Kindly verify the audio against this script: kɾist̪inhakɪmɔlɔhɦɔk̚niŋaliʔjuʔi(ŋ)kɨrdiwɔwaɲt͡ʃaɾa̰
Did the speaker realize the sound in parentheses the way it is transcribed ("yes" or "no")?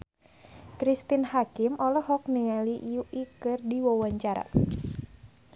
no